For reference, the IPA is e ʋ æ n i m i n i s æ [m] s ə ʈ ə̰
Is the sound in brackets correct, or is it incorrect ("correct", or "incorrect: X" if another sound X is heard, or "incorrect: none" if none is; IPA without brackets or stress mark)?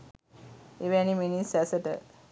incorrect: none